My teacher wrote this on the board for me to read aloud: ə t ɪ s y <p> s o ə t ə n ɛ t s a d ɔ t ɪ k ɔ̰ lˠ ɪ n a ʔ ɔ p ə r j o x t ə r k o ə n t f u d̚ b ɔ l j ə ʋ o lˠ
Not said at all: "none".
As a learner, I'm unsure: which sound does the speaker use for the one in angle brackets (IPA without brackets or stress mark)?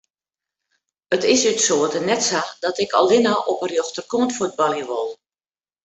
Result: t